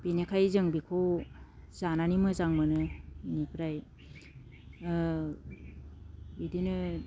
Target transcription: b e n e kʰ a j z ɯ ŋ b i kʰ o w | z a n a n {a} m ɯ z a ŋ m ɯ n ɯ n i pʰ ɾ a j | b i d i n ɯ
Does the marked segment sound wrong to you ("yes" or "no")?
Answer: yes